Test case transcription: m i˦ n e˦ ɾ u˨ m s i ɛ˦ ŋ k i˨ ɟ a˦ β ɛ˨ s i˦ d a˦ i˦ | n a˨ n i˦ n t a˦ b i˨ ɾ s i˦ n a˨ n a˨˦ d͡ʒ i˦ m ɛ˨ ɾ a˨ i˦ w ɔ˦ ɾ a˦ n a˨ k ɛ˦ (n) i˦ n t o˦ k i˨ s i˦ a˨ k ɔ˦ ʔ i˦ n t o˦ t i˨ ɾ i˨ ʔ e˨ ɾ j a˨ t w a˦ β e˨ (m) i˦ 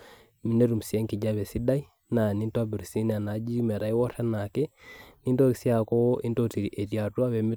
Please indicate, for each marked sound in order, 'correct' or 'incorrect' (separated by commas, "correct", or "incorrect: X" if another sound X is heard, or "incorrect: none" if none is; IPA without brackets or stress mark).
correct, correct